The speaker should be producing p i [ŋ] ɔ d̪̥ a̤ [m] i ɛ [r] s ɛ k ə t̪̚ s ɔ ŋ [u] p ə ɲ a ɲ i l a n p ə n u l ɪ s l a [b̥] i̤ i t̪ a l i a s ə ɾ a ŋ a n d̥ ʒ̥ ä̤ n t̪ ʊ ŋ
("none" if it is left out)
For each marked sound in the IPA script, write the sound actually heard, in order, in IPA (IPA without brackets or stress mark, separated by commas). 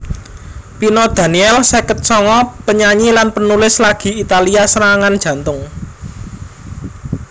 n, n, l, ɔ, ɡ̥